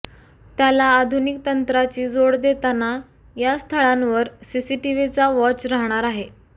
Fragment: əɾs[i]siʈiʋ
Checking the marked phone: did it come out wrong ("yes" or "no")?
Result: no